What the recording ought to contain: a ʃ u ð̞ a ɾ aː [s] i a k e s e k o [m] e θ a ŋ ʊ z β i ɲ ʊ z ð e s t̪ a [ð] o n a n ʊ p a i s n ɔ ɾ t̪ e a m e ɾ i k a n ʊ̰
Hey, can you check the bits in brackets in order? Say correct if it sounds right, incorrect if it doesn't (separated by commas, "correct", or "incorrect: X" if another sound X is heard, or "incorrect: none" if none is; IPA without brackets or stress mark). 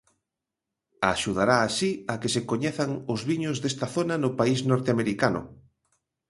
correct, incorrect: ɲ, incorrect: θ